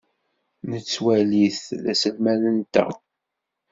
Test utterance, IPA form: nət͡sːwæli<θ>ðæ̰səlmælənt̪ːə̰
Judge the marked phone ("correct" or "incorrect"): correct